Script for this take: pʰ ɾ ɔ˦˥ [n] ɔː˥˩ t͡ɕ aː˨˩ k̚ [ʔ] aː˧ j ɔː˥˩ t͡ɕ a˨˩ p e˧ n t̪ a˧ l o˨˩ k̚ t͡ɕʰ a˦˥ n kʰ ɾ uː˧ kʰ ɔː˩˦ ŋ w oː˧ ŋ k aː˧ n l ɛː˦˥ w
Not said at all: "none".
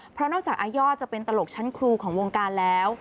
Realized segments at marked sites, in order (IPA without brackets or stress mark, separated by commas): n, ʔ